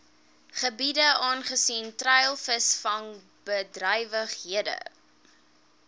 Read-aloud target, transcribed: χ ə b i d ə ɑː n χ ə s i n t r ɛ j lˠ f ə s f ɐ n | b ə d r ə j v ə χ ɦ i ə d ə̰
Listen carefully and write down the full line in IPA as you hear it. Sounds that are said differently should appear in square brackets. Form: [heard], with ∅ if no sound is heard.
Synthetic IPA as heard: χ ə b i d ə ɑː n χ ə s i n t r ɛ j lˠ f ə s f ɐ n | b ə d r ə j v ə χ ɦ i ə d ə̰